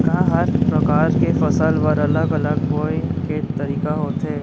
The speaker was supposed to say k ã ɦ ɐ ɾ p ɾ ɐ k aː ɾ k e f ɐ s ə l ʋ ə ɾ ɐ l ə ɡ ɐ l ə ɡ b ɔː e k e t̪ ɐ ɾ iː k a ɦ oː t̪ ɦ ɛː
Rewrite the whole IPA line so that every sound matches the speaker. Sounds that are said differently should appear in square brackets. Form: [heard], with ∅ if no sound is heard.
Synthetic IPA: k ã ɦ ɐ ɾ p ɾ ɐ k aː ɾ k e f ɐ s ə l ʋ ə ɾ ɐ l ə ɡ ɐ l ə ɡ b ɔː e k e t̪ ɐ ɾ iː k a ɦ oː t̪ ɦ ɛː